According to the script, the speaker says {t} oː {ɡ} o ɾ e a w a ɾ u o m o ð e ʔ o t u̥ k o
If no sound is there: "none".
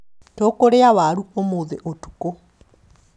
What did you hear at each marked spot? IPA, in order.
t, k

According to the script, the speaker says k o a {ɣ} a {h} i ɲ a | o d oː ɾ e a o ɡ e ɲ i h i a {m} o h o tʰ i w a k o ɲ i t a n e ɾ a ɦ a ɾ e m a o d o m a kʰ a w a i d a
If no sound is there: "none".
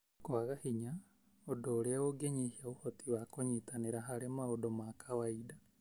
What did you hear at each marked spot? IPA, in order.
ɣ, h, none

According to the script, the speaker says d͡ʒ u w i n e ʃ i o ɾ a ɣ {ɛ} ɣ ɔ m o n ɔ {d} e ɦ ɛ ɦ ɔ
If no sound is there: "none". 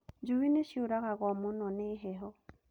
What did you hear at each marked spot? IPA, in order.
a, n

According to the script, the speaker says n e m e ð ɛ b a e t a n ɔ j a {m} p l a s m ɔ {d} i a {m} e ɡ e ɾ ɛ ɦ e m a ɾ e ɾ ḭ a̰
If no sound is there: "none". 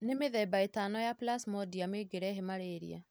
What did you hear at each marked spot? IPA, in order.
none, d, m

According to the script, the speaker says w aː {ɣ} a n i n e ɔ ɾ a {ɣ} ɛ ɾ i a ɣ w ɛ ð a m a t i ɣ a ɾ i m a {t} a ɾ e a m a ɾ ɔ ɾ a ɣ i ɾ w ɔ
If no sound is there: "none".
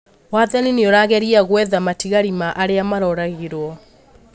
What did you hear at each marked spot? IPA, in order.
ð, ɣ, ʔ

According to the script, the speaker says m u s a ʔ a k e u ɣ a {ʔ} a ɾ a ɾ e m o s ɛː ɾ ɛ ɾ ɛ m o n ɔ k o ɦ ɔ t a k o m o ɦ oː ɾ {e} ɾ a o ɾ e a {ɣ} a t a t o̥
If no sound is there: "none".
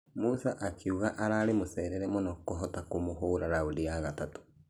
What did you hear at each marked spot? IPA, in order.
ʔ, a, ɣ

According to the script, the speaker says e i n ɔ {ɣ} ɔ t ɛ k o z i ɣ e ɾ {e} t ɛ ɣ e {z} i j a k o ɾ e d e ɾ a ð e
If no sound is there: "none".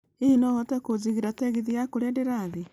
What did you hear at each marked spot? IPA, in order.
ɣ, a, ð

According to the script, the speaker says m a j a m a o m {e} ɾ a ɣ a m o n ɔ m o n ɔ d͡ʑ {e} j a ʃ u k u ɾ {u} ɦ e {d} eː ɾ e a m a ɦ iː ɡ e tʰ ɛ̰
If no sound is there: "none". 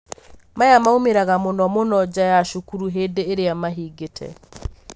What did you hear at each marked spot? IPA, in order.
e, a, u, d

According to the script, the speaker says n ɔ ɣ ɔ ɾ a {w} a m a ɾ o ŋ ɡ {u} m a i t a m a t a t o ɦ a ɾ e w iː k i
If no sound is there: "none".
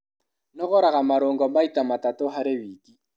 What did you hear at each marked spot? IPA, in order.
ɣ, ɔ

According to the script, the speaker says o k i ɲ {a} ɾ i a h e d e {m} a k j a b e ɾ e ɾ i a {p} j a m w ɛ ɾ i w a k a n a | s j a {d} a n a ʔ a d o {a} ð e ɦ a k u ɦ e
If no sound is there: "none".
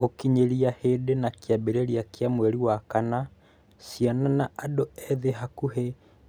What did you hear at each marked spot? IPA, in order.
e, n, k, n, ɛ

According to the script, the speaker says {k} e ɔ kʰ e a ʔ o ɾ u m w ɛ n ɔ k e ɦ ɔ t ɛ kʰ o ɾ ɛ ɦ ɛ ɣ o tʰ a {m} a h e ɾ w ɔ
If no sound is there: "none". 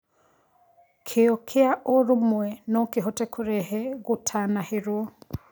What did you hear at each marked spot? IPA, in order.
kʰ, n

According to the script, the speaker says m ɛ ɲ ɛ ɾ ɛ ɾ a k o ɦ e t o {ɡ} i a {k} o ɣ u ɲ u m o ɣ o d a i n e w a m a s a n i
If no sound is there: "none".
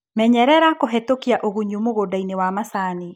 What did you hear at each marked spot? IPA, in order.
k, ʔ

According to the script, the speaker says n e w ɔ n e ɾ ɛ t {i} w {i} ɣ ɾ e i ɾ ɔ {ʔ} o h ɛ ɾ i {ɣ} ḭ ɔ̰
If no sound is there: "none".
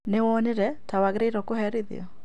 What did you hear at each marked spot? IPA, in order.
a, a, k, ð

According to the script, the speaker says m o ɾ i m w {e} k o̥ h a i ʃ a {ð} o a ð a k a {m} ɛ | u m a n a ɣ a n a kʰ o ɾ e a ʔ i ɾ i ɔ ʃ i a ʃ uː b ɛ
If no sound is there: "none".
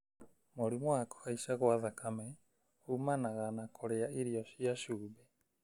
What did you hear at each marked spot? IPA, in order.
a, ɣ, m

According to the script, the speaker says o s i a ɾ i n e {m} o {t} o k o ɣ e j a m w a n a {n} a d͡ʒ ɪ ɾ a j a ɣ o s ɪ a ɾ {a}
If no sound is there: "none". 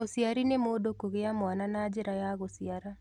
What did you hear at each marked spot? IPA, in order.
m, d, n, a

